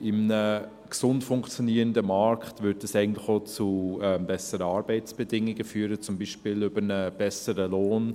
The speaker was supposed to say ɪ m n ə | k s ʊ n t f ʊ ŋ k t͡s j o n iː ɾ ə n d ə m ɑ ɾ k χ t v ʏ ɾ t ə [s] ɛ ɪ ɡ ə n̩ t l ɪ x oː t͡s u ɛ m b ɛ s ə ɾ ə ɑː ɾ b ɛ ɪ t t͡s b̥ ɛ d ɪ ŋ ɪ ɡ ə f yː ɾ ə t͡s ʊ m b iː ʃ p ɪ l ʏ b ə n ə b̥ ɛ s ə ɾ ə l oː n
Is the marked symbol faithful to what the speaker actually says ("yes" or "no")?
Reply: yes